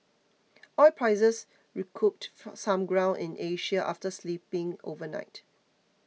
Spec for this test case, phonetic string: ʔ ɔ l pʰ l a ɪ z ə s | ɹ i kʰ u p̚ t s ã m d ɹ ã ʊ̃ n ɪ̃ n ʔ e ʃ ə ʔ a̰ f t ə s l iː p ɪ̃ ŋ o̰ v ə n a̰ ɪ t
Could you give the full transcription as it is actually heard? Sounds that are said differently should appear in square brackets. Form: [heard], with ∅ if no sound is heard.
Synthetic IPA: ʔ ɔ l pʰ [ɹ] a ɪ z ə s | ɹ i kʰ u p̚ t s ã m [ɡ] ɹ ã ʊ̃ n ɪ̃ n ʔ e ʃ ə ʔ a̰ f t ə s l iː p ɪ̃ ŋ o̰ v ə n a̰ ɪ t